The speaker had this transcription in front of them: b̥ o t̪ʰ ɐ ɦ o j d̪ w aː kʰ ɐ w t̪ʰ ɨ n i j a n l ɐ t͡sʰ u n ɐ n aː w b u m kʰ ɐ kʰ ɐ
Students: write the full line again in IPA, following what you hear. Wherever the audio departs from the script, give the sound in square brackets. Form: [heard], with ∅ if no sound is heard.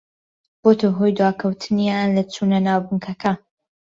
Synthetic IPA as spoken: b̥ o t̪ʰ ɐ ɦ o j d̪ w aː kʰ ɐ w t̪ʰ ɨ n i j a n l ɐ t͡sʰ u n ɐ n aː w b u [ŋ] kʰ ɐ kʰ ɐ